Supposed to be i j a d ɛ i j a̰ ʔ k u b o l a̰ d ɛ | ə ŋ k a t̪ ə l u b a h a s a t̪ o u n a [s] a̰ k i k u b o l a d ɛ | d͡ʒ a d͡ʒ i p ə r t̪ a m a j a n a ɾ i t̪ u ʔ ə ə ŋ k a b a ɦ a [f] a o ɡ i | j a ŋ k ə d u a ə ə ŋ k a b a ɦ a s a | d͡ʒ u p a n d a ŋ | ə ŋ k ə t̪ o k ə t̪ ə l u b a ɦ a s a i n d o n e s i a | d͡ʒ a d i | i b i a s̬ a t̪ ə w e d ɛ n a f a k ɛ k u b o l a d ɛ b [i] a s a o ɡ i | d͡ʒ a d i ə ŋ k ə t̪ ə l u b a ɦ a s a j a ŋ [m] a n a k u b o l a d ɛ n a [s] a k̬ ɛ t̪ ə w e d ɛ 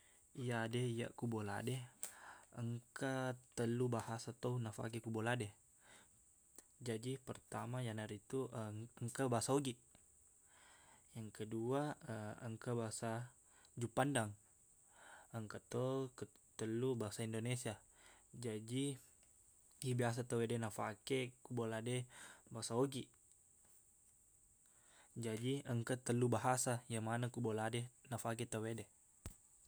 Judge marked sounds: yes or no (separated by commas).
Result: no, no, no, yes, no